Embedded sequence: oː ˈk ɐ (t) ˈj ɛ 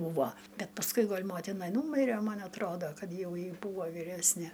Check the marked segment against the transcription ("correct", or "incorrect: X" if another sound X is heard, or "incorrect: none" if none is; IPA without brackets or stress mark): correct